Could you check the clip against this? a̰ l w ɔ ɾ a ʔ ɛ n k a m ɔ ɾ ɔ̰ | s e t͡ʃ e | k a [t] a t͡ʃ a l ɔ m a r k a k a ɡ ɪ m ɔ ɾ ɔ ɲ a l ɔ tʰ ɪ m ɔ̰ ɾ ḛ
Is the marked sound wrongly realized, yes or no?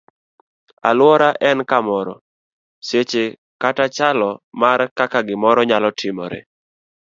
no